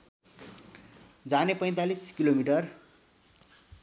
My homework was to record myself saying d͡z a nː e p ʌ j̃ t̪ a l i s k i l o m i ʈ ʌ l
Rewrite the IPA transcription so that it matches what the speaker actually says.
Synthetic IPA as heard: d͡z a n e p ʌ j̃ t̪ a l i s k i l o m i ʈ ʌ r